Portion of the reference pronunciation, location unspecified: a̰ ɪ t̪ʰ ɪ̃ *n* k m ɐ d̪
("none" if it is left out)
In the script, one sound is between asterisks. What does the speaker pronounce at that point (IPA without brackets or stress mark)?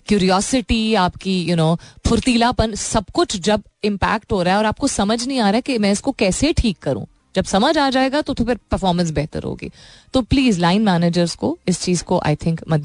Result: ŋ